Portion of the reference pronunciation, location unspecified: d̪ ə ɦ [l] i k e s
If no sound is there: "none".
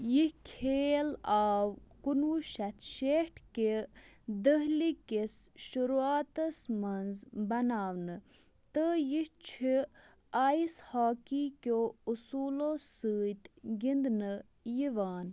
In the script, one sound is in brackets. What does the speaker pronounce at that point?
l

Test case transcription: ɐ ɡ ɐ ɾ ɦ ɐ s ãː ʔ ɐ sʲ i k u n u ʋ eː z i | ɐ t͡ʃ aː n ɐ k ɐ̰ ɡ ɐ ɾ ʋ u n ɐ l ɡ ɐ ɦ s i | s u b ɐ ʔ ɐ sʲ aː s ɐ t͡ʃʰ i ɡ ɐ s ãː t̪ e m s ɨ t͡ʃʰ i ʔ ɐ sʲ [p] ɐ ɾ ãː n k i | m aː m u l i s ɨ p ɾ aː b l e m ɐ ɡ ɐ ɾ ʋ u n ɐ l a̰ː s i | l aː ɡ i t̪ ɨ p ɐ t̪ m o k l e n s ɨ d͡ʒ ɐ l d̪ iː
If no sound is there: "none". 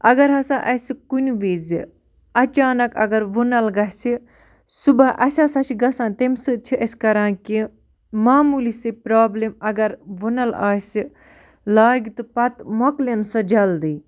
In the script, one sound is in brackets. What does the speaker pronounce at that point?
k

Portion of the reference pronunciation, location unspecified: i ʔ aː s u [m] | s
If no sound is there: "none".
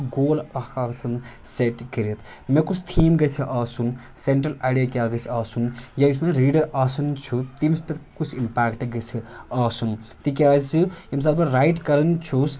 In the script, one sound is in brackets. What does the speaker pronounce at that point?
n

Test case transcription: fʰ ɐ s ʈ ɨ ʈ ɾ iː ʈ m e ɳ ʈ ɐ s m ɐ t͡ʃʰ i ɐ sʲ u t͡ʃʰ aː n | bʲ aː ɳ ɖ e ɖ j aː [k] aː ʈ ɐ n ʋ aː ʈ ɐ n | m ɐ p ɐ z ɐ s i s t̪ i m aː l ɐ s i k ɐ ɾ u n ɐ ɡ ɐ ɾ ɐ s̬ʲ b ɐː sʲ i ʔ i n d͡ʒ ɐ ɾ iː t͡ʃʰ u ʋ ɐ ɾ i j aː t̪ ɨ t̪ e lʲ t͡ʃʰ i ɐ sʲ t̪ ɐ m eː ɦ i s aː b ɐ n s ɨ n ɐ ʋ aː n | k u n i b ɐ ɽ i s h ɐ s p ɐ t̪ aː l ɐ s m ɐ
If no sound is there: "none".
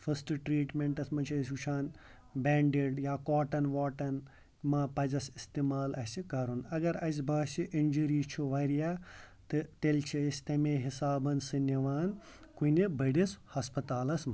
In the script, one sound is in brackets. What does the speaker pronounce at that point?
k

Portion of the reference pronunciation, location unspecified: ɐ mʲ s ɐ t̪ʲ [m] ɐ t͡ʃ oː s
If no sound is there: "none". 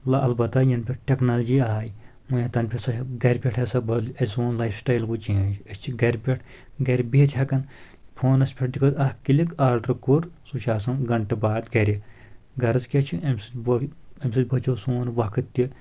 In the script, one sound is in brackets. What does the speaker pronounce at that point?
b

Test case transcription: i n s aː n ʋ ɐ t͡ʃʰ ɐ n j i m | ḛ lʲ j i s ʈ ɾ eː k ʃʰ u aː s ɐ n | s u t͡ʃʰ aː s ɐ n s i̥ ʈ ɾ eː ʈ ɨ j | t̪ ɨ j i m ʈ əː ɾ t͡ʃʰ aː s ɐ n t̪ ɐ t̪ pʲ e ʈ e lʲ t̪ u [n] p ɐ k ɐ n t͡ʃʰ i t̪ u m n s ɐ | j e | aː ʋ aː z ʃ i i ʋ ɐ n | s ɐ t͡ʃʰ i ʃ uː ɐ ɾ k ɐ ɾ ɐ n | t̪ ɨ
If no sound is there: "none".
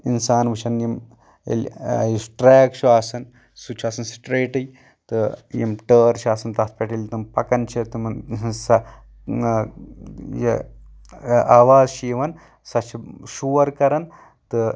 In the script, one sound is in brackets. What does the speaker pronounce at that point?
m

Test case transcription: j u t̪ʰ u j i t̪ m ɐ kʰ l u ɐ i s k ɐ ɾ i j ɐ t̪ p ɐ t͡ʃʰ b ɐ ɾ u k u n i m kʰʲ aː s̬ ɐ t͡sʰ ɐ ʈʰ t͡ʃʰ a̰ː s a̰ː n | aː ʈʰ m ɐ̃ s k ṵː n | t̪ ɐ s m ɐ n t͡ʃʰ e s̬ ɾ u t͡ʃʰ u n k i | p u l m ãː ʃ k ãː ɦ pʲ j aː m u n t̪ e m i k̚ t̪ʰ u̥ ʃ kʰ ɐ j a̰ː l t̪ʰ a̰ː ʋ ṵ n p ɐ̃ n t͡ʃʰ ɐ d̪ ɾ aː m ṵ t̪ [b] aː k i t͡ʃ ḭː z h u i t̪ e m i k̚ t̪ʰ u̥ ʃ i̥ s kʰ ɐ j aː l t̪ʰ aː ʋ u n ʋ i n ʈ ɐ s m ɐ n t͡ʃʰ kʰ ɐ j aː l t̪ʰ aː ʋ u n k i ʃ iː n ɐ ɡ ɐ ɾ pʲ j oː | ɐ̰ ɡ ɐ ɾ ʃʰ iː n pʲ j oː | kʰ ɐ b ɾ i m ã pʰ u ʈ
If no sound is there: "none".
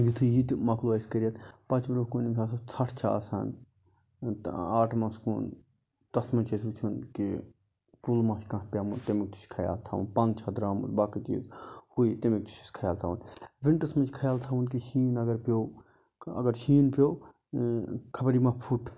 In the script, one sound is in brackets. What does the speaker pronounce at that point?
b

